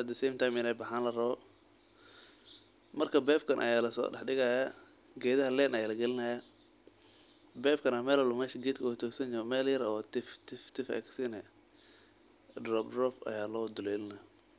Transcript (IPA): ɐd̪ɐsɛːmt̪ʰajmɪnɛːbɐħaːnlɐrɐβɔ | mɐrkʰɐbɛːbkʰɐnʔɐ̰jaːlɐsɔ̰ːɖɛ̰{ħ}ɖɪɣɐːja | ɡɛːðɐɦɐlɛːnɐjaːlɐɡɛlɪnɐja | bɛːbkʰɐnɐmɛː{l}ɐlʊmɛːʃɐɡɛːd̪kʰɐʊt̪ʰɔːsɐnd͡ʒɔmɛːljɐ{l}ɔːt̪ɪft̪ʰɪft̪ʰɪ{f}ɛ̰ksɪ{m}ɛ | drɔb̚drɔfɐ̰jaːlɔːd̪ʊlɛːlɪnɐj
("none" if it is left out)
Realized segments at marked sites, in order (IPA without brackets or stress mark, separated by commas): ħ, l, ɾ, f, n